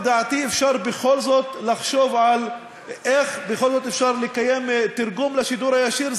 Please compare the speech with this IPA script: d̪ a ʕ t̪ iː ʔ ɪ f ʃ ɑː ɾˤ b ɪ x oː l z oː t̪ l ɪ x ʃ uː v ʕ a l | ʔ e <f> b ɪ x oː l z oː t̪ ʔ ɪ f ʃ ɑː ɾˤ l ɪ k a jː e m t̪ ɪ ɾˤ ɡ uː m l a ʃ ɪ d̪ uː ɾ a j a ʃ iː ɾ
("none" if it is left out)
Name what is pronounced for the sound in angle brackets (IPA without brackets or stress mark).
x